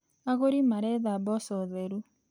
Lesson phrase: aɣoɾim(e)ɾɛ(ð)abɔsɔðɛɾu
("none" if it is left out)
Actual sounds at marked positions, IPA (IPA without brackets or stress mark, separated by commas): a, ð